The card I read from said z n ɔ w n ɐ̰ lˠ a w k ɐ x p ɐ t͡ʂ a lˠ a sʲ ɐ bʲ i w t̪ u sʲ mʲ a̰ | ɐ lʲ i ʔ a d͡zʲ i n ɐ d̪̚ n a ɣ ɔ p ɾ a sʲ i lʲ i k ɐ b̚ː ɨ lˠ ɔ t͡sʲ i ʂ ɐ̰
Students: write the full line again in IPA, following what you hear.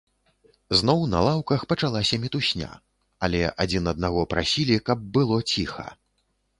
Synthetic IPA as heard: z n ɔ w n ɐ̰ lˠ a w k ɐ x p ɐ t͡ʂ a lˠ a sʲ ɐ mʲ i t̪ u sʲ nʲ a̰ | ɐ lʲ ɛ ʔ a d͡zʲ i n ɐ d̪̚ n a ɣ ɔ p ɾ a sʲ i lʲ i k ɐ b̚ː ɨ lˠ ɔ t͡sʲ i x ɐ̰